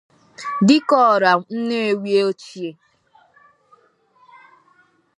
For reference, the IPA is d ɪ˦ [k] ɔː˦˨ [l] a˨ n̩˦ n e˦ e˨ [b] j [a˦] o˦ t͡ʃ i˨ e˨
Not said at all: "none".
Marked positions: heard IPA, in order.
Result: k, ɾ, w, e˦

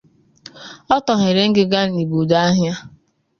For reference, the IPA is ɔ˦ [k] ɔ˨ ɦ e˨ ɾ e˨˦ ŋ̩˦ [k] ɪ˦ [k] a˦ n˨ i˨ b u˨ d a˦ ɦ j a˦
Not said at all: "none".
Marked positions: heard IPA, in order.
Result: t, ɡ, ɡ

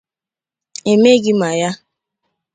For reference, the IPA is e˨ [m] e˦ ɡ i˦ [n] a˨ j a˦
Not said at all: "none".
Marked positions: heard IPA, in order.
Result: m, m

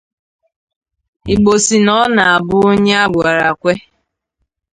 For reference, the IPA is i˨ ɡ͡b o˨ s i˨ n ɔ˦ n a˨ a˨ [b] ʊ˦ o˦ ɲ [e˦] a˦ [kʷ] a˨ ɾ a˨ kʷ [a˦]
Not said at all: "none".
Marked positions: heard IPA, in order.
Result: b, e˦, ɡʷ, e˦

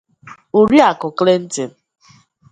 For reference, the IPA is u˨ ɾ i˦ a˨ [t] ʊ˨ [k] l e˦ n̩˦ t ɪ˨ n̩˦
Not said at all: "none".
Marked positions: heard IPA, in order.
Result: k, k

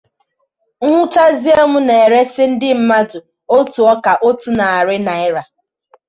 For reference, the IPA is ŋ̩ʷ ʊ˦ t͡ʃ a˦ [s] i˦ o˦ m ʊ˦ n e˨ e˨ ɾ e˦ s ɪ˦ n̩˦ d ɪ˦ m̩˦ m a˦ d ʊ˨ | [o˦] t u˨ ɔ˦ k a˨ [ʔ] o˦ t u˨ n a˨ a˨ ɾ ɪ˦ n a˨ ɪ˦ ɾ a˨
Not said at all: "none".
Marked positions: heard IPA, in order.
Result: z, o˦, ʔ

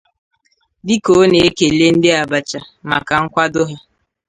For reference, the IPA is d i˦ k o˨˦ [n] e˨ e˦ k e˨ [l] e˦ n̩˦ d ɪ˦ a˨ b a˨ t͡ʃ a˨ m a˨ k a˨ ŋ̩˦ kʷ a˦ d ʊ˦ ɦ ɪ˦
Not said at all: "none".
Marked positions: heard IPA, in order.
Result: n, l

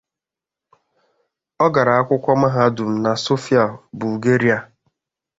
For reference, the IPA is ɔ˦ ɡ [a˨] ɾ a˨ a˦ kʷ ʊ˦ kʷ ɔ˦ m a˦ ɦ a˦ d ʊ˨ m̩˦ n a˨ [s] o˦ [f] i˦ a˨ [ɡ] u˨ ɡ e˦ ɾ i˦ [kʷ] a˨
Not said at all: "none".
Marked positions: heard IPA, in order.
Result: a˨, s, f, b, none

